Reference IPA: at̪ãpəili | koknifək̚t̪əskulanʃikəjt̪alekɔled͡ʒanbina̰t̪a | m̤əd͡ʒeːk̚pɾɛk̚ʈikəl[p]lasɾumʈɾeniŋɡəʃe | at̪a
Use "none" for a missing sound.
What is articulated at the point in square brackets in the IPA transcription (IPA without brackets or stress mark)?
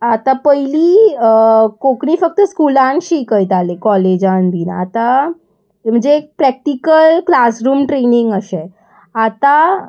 k